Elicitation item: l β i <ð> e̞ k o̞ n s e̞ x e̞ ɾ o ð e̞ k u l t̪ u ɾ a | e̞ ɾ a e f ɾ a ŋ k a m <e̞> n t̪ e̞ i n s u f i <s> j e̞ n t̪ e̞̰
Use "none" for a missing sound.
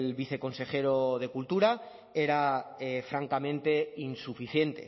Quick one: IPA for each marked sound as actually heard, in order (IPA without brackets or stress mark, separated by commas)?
θ, ẽ̞, θ